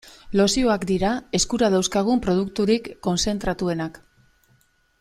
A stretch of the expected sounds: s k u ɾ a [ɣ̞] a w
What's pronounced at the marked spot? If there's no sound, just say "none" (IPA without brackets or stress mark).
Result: ð̞